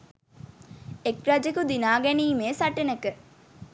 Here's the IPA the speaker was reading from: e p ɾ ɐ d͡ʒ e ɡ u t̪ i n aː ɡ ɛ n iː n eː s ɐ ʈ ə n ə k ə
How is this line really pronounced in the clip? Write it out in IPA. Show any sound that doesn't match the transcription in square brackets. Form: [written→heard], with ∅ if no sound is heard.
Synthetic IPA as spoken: e [p→k] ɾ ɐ d͡ʒ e [ɡ→k] u [t̪→d̪] i n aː ɡ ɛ n iː [n→m] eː s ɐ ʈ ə n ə k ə